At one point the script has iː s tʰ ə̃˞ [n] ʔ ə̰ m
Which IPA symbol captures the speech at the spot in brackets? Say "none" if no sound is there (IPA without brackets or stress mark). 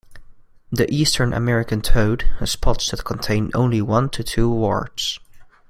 n